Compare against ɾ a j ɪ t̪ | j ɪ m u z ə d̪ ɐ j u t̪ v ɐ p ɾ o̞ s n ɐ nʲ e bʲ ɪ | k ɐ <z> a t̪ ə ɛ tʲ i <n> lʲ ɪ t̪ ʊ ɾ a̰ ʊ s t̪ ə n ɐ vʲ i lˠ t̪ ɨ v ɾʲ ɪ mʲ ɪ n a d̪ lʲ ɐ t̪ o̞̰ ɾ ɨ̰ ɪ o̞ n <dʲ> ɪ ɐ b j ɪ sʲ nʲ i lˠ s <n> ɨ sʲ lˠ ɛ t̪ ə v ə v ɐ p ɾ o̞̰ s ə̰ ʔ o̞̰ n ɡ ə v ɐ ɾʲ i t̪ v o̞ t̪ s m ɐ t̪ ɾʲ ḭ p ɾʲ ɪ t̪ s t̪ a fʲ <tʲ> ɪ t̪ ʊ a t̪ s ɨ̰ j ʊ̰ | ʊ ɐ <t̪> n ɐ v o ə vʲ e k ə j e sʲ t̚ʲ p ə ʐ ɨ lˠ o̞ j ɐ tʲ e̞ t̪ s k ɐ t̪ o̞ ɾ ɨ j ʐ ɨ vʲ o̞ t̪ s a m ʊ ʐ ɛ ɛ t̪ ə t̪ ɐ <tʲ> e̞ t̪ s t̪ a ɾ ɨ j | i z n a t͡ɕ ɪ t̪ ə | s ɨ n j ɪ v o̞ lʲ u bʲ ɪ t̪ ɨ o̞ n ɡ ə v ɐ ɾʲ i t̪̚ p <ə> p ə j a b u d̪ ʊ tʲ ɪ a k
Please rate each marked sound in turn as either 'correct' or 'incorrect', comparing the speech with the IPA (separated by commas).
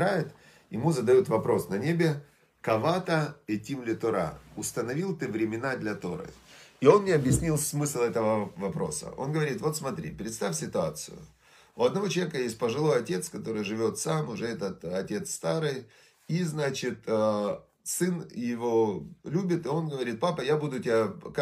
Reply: incorrect, incorrect, incorrect, incorrect, incorrect, incorrect, correct, incorrect